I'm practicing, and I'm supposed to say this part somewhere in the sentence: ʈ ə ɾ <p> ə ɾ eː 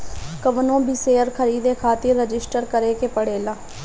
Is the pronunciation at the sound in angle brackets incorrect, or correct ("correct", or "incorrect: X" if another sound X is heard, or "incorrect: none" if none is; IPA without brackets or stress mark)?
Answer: incorrect: k